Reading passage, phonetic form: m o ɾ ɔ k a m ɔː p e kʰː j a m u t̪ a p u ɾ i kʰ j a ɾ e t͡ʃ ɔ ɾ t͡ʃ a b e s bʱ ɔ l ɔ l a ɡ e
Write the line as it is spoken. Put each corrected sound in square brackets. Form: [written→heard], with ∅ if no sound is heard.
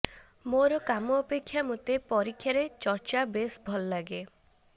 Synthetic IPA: m o ɾ ɔ k a m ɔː p e kʰː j a m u t̪ [a→e] p [u→ɔ] ɾ i kʰ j a ɾ e t͡ʃ ɔ ɾ t͡ʃ a b e s bʱ ɔ l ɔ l a ɡ e